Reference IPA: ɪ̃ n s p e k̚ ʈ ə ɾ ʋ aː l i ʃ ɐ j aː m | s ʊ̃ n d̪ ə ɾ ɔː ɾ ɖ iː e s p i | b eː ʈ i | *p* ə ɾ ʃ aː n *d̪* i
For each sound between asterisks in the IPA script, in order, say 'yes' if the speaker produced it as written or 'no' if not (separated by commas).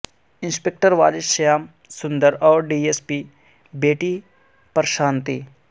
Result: yes, no